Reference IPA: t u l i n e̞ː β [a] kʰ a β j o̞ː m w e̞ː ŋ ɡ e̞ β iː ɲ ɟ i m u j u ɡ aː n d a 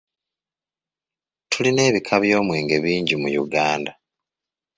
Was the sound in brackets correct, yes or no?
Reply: no